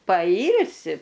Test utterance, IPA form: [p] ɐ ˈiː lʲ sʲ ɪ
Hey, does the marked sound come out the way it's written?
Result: yes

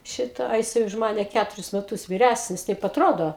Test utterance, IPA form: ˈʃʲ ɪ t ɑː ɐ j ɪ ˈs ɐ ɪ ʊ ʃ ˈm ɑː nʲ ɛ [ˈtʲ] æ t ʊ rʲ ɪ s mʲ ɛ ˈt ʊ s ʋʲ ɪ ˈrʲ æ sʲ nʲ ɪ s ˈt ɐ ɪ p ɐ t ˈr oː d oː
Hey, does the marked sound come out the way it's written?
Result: no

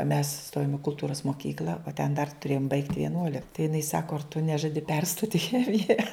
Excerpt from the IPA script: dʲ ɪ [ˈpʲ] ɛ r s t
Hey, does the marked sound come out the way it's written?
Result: yes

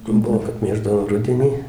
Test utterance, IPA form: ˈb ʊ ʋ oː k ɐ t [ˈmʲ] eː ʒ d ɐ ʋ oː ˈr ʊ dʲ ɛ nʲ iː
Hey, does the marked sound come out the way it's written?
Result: yes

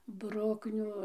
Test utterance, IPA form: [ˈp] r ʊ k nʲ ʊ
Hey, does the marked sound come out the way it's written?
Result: no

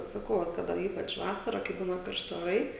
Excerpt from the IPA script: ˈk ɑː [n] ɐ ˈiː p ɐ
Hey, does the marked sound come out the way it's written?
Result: no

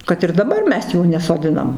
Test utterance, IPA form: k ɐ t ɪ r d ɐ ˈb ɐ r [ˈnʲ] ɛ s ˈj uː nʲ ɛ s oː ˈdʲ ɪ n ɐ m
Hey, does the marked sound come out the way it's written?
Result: no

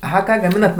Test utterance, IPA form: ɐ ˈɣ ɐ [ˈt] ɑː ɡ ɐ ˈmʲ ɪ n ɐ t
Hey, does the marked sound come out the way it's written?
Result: no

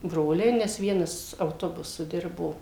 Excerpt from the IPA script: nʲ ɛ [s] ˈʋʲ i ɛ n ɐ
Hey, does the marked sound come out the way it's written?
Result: yes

